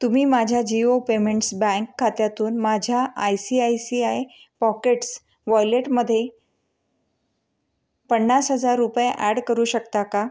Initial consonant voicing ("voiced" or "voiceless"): voiceless